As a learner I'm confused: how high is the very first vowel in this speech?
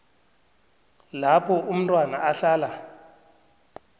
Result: low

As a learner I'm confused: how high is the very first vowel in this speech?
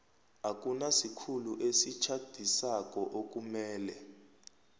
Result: low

